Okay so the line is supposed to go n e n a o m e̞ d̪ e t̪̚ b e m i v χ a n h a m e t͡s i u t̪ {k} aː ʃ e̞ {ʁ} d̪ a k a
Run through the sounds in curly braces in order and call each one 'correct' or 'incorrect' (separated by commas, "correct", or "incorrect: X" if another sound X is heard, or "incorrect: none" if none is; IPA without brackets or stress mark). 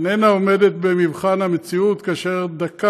correct, correct